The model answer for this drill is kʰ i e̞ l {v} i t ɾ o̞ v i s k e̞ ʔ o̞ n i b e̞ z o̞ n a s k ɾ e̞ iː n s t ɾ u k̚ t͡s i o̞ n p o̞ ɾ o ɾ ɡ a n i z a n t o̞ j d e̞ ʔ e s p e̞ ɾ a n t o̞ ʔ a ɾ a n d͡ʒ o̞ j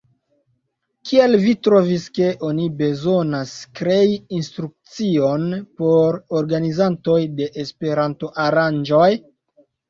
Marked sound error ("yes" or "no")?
no